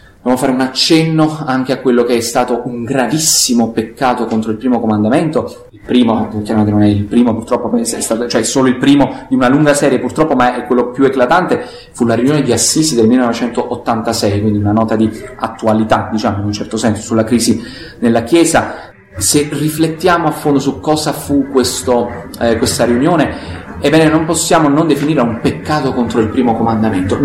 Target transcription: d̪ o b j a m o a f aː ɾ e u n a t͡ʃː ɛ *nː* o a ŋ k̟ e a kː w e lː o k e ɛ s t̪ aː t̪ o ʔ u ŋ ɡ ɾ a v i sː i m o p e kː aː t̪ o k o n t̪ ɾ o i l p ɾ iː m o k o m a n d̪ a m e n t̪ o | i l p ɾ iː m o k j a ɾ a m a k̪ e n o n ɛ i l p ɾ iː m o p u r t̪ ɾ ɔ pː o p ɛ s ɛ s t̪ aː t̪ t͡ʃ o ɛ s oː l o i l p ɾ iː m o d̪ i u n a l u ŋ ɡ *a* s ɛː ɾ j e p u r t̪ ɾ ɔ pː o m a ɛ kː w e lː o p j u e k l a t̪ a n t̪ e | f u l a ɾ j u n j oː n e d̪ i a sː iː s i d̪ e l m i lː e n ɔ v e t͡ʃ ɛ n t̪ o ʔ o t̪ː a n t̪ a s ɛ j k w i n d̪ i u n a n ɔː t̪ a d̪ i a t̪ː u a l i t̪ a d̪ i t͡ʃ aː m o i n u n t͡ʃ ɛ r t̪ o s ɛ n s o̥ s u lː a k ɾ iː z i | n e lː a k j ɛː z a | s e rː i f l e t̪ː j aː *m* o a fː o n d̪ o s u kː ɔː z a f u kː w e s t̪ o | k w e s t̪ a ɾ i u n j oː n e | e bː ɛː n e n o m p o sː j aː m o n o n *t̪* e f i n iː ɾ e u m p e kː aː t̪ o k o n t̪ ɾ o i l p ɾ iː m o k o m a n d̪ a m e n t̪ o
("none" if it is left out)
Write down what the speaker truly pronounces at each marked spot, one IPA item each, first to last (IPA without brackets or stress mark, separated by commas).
nː, a, m, d̪